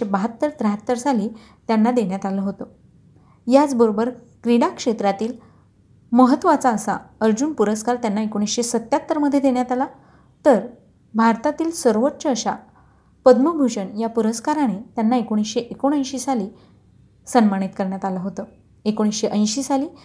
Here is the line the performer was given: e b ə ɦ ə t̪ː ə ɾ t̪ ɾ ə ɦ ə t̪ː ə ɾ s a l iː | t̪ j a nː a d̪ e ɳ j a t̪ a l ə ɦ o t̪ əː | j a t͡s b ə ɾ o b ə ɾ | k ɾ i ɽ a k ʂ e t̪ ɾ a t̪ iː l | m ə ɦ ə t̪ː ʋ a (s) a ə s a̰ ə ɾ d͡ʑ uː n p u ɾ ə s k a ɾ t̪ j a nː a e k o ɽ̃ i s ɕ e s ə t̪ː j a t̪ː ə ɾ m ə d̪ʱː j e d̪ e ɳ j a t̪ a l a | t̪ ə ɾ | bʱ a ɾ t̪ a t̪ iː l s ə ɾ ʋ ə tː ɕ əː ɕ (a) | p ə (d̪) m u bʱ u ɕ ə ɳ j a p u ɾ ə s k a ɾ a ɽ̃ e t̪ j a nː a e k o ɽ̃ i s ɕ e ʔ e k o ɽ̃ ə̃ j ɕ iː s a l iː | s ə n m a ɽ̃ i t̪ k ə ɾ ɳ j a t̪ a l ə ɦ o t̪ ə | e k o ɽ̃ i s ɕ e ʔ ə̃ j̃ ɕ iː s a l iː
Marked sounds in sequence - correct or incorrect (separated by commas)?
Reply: incorrect, correct, correct